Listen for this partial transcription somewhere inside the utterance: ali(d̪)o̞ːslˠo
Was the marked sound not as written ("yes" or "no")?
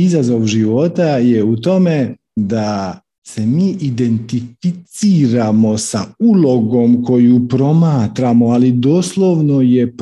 no